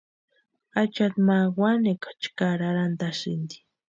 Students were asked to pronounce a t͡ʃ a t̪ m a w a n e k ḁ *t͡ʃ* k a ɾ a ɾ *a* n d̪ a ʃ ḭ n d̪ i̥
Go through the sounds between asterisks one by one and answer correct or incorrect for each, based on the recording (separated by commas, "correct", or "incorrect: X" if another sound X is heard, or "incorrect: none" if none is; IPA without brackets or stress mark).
correct, correct